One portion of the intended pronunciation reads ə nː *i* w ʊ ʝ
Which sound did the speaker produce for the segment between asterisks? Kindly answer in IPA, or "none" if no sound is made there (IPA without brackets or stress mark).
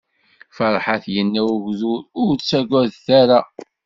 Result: æ